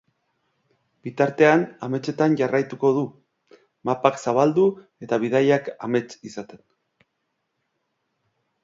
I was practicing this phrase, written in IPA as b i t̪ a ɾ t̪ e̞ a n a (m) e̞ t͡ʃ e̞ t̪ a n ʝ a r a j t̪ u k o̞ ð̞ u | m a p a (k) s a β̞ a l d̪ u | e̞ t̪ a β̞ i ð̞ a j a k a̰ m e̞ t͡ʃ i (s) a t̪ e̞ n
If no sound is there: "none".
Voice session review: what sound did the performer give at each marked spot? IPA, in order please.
m, k, s

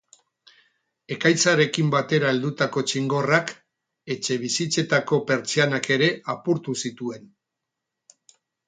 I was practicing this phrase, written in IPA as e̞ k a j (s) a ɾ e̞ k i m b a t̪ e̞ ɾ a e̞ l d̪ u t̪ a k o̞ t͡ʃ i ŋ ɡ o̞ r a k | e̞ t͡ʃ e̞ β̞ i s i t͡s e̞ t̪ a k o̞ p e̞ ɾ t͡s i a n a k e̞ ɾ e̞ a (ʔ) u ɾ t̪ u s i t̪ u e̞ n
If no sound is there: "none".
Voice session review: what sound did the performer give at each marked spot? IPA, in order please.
t͡s, p

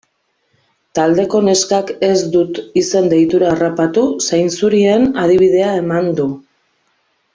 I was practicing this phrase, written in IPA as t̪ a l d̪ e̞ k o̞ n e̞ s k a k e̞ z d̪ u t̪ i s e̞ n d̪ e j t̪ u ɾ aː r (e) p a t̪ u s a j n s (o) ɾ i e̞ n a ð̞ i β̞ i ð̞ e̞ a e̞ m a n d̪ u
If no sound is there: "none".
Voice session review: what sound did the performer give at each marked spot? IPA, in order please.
a, u

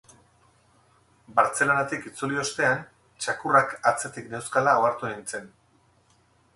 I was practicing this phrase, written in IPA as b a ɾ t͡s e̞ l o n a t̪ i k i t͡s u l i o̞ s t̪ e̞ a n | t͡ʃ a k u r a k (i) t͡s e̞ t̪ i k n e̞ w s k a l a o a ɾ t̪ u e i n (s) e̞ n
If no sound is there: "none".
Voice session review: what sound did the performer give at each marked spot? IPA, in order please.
a, t͡s

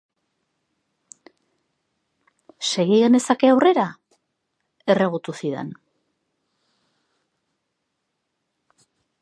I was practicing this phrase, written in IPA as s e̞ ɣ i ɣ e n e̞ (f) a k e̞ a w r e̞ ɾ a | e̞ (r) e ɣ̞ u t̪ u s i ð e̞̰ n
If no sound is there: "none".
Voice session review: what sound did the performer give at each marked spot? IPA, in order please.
s, r

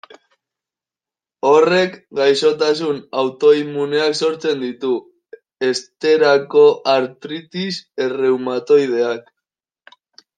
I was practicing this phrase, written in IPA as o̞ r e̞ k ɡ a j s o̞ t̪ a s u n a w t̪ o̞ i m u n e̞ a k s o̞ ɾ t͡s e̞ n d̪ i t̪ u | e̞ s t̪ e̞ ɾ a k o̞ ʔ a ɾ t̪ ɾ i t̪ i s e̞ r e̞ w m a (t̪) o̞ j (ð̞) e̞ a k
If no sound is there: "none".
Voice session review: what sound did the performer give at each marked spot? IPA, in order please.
t̪, ð̞

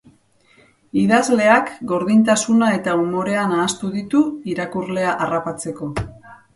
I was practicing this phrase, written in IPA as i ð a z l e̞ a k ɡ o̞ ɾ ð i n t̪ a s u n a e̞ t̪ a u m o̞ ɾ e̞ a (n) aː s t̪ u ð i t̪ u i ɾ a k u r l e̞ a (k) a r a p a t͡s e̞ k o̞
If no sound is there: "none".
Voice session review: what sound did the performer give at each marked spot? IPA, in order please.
n, ʔ

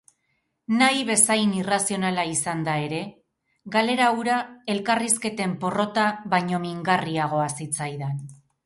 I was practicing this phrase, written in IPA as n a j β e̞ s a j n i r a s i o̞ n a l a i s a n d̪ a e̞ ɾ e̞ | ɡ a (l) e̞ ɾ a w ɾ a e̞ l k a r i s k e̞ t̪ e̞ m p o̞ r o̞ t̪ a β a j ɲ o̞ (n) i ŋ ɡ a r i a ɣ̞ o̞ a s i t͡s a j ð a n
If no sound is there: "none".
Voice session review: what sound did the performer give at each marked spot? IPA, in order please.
l, m

